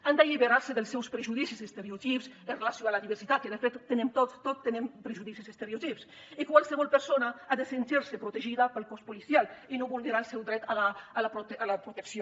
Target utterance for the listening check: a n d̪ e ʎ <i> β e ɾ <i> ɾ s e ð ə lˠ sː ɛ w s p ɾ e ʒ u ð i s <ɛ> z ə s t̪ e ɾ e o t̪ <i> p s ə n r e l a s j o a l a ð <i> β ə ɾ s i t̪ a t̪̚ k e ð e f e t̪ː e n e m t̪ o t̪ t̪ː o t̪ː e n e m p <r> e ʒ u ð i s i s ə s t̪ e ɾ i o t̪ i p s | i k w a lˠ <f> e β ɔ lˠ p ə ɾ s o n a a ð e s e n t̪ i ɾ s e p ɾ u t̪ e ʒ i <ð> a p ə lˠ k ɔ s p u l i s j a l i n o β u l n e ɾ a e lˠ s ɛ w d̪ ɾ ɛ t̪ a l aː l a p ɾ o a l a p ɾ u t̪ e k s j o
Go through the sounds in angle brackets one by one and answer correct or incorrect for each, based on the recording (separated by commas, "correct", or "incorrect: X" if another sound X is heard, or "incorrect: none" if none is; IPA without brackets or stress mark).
correct, incorrect: a, incorrect: i, correct, correct, incorrect: ɾ, incorrect: s, correct